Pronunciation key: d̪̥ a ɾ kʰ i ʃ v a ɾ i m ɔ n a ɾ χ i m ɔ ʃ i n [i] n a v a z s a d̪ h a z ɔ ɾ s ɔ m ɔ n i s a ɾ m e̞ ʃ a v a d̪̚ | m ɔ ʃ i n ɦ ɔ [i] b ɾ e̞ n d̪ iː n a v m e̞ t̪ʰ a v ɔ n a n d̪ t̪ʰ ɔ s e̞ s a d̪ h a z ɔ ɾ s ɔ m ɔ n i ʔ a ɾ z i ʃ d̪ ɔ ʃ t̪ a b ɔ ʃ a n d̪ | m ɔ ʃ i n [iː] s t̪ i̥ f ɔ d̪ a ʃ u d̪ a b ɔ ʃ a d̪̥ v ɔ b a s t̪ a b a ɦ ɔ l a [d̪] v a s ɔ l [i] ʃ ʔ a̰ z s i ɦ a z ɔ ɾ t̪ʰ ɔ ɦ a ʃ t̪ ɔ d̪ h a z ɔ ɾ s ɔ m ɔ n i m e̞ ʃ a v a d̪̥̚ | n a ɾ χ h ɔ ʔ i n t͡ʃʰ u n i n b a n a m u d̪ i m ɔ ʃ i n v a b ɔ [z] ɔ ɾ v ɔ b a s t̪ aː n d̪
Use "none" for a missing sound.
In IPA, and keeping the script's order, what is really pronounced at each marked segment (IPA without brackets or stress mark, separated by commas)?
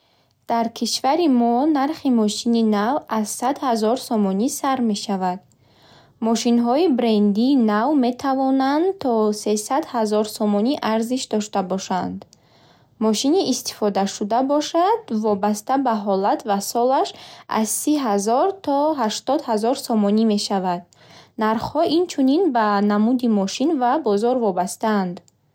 i, i, iː, t̪, a, z